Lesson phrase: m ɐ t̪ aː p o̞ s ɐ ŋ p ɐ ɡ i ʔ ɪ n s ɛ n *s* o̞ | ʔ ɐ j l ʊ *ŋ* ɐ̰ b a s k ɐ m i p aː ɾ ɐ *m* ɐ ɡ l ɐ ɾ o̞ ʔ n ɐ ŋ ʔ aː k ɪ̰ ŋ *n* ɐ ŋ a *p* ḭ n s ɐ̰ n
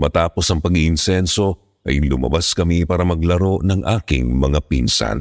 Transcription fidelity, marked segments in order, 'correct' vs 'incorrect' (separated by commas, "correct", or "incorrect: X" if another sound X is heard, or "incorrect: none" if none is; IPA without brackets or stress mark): correct, incorrect: m, correct, incorrect: m, correct